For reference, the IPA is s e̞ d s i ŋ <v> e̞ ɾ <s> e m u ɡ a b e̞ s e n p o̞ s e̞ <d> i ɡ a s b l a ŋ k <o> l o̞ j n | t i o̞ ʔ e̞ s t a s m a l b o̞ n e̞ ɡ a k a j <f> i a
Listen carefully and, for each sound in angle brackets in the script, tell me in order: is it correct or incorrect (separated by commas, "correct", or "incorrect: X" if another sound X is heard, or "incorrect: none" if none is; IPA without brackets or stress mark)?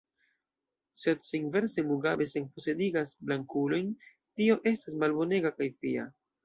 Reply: correct, correct, correct, incorrect: u, correct